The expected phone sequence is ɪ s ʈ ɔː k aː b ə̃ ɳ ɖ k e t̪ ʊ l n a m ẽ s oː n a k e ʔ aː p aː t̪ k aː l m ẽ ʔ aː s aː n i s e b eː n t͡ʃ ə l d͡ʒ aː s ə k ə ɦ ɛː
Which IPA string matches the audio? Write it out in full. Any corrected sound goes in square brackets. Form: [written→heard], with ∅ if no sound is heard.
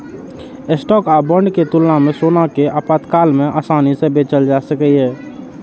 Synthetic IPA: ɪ s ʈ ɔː k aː b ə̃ ɳ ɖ k e t̪ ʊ l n a m ẽ s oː n a k e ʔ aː p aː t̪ k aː l m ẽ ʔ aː s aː n i s e b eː [n→∅] t͡ʃ ə l d͡ʒ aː s ə k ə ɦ ɛː